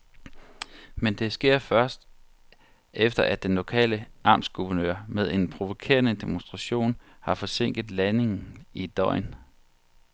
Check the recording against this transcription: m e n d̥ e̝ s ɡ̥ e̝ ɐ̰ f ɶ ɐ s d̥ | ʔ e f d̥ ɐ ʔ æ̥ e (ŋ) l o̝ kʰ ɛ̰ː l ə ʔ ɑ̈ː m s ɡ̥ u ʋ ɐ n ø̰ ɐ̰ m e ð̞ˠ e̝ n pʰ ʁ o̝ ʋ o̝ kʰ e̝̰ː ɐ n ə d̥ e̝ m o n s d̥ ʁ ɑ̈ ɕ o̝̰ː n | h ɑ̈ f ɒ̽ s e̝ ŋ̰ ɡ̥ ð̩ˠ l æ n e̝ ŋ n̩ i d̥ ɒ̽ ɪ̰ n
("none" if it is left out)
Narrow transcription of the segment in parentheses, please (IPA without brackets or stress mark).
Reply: n